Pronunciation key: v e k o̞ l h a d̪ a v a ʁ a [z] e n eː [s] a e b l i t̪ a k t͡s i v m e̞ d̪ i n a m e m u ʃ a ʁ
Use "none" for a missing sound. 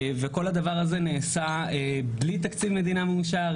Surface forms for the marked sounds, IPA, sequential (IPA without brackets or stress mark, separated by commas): z, s